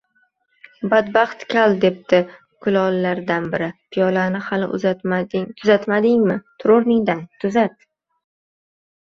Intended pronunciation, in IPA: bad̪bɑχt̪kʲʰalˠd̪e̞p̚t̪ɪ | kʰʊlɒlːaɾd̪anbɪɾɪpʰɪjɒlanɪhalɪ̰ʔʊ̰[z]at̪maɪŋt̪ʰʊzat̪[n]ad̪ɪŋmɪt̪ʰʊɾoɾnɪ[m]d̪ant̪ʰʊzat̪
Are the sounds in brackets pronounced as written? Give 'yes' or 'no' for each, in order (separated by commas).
yes, no, no